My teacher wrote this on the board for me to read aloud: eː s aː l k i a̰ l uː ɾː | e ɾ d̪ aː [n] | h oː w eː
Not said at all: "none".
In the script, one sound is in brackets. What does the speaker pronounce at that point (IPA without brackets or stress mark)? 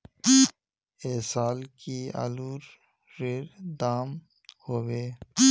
m